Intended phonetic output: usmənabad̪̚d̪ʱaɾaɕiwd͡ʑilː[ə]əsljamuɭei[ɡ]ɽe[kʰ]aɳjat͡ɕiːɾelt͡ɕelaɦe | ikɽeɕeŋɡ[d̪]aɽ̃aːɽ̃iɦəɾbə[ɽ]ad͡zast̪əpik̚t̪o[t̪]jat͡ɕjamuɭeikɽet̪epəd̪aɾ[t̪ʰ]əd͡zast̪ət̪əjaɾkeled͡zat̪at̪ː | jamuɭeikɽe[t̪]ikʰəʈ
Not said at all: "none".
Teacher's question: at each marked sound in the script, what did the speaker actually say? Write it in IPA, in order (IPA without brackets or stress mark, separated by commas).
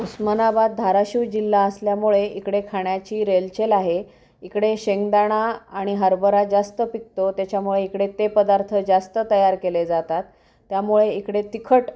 a, k, kʰ, d̪, ɾ, t̪, t̪ʰ, t̪